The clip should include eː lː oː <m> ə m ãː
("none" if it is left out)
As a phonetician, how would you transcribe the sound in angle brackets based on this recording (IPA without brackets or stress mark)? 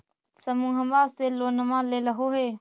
n